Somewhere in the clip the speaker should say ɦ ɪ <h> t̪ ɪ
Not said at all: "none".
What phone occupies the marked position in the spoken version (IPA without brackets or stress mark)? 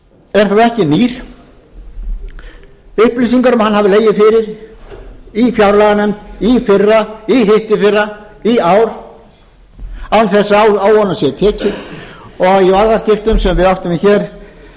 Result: h